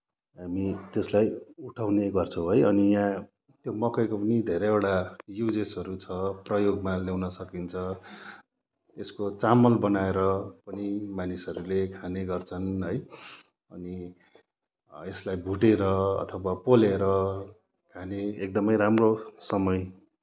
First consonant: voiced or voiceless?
voiced